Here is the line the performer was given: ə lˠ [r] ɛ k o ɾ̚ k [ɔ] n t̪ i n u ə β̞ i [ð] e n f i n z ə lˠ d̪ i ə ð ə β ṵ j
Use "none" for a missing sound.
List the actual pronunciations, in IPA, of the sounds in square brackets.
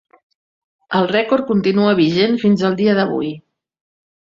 r, u, ʒ

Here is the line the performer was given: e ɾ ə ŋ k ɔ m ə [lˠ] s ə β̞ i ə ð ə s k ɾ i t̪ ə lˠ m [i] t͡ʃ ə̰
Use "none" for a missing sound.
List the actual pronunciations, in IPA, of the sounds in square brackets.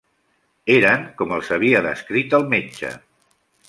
lˠ, e

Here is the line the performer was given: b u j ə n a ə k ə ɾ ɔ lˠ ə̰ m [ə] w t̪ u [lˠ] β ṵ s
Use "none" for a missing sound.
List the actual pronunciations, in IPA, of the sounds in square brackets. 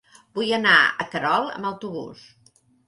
ə, none

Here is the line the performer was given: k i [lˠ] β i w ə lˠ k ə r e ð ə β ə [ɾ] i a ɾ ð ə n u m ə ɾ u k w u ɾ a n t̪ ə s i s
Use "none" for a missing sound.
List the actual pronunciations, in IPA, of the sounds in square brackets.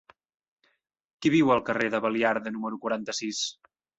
none, l

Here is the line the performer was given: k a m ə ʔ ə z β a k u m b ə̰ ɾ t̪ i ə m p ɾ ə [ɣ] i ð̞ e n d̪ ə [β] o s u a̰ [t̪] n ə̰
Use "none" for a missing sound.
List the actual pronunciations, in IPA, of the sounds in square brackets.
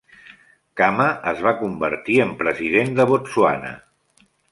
z, β, none

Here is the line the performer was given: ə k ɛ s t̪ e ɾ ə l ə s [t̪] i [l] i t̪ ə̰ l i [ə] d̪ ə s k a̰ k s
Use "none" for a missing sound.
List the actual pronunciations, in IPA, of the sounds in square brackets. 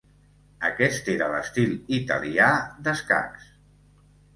t̪, l, a

